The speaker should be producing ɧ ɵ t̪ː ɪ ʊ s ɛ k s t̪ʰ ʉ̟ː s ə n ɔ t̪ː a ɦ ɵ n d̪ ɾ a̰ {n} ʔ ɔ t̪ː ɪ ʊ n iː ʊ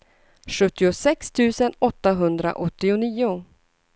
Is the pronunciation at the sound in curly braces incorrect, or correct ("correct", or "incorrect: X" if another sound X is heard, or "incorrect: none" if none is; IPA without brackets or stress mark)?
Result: incorrect: none